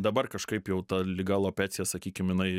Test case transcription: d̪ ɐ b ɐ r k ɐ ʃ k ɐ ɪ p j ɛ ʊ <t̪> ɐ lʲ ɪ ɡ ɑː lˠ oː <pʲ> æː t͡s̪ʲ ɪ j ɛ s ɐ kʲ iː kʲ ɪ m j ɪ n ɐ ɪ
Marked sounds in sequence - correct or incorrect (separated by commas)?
correct, correct